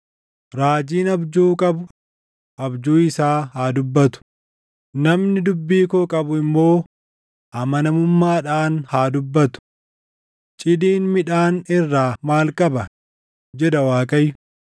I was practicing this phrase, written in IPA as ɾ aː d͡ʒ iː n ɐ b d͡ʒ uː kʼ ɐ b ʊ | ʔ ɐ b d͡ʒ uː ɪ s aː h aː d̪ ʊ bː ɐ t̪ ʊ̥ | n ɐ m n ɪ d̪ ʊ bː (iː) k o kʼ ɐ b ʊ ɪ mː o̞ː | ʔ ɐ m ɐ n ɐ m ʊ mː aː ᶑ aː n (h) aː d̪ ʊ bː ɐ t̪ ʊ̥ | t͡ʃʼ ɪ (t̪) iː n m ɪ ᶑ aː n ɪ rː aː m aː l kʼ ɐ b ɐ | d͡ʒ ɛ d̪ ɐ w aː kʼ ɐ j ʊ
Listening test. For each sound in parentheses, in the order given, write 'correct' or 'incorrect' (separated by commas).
correct, correct, incorrect